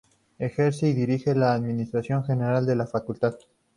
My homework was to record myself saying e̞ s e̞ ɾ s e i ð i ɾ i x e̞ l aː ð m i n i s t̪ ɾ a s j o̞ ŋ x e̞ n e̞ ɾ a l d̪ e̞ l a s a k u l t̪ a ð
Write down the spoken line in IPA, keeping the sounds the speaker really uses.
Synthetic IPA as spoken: e̞ x e̞ ɾ s e i ð i ɾ i x e̞ l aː ð m i n i s t̪ ɾ a s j o̞ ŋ x e̞ n e̞ ɾ a l d̪ e̞ l a f a k u l t̪ a ð